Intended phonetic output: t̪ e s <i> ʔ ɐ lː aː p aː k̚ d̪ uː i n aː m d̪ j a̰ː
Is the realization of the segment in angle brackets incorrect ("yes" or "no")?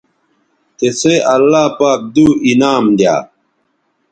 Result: yes